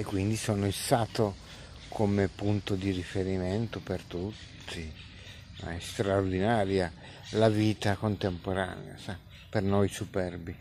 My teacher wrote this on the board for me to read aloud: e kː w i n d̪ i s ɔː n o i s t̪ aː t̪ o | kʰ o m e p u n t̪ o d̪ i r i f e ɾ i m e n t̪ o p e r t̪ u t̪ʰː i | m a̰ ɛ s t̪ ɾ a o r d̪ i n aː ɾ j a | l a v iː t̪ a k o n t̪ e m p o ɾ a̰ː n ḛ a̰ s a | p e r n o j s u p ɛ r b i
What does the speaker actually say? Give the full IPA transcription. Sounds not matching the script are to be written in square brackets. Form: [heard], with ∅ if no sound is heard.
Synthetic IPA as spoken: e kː w i n d̪ i s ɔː n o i s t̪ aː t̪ o | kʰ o m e p u n t̪ o d̪ i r i f e ɾ i m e n t̪ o p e r t̪ u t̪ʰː i | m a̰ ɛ s t̪ ɾ a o r d̪ i n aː ɾ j a | l a v iː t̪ a k o n t̪ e m p o ɾ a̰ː n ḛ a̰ s a | p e r n o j s u p ɛ r b i